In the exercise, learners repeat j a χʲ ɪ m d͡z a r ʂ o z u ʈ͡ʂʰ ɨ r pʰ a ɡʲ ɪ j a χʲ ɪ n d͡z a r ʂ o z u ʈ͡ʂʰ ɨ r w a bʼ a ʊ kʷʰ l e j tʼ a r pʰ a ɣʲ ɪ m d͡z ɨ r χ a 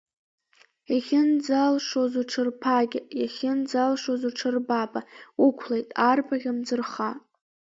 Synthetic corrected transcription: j a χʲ ɪ n d͡z a l ʂ o z u ʈ͡ʂʰ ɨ r pʰ a ɡʲ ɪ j a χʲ ɪ n d͡z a l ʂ o z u ʈ͡ʂʰ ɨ r b a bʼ a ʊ kʷʰ l e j tʼ a r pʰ a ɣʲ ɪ m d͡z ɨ r χ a